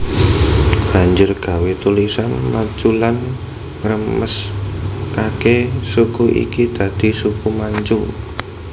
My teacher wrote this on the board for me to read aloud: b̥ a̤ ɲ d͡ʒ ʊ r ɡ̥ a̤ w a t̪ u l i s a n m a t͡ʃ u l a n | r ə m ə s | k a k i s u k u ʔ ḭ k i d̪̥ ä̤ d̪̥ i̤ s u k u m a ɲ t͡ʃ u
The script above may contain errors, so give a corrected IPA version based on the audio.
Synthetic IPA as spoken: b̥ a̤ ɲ d͡ʒ ʊ r ɡ̥ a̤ w e t̪ u l i s a n m a t͡ʃ u l a n | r ə m ə s | k a k e s u k u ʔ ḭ k i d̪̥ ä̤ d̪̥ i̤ s u k u m a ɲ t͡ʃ u